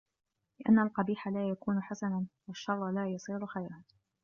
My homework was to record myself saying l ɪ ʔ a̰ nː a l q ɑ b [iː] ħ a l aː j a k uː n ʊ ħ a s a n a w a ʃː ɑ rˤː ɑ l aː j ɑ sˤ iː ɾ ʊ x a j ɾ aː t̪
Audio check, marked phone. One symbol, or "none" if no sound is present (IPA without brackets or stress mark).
iː